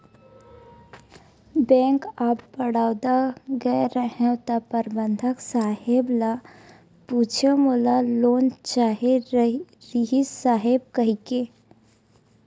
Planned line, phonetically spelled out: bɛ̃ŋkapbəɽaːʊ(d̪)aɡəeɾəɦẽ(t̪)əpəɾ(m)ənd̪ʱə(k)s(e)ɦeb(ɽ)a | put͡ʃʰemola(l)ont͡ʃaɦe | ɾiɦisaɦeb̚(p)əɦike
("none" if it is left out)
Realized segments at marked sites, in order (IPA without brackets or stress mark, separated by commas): d̪, t̪, b, k, a, l, l, k